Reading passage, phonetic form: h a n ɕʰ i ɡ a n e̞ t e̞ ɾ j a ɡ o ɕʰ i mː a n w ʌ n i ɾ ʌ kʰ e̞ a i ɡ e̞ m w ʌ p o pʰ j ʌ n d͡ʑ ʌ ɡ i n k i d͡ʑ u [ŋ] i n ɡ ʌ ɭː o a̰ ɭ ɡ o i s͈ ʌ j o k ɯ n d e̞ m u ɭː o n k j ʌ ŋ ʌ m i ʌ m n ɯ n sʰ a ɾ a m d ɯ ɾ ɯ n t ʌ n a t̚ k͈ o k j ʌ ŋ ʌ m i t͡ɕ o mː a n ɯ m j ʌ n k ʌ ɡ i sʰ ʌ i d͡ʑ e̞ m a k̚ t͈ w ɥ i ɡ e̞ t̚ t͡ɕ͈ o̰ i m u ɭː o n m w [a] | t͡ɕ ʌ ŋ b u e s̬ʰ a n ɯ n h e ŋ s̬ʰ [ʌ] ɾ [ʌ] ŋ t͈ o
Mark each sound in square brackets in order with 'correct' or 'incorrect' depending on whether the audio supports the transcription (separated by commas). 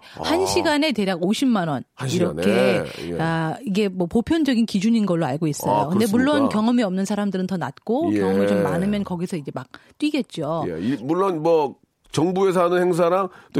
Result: incorrect, incorrect, incorrect, incorrect